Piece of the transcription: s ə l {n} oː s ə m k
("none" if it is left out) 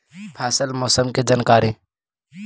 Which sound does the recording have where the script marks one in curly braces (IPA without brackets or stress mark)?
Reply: m